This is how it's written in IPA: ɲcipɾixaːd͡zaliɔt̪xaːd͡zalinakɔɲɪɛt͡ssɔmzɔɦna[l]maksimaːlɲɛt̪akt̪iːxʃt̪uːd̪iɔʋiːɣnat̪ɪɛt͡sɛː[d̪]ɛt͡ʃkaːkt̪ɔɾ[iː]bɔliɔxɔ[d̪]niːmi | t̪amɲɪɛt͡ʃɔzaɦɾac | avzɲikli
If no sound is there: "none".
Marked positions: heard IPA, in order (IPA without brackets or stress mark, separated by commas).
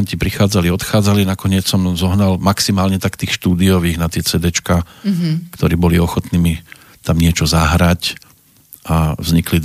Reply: l, d̪, iː, t̪